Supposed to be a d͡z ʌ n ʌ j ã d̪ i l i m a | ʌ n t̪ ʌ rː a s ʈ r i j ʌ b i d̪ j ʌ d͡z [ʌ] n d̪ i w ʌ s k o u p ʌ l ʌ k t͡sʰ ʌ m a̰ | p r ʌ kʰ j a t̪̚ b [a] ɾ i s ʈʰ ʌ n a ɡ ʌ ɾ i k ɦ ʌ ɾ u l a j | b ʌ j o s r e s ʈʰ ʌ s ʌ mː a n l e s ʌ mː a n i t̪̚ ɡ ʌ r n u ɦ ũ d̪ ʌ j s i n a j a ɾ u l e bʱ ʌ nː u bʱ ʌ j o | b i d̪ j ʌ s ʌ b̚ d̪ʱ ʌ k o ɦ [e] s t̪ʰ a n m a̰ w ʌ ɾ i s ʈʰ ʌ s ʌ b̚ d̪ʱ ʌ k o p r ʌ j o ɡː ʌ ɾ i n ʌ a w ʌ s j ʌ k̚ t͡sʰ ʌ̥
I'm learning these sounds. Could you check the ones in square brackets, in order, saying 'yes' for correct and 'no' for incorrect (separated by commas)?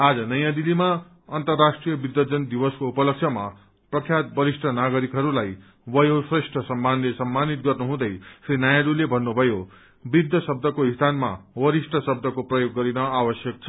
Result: yes, no, no